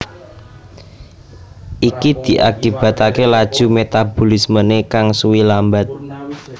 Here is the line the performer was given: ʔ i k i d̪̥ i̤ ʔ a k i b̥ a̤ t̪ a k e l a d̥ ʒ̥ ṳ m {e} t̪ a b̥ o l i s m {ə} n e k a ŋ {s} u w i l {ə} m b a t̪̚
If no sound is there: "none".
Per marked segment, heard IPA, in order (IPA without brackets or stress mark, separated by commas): e, ə, s, a